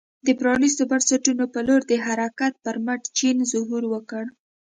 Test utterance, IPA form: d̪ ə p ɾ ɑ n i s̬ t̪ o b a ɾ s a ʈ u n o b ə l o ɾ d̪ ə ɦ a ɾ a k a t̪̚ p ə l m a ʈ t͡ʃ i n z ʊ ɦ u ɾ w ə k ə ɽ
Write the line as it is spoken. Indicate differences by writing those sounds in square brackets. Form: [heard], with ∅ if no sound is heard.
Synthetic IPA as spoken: d̪ ə p ɾ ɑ n i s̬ t̪ o b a ɾ s a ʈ u n o [p] ə l o ɾ d̪ ə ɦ a ɾ a k a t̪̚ p ə [ɾ] m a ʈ t͡ʃ i n z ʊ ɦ u ɾ w ə k ə ɽ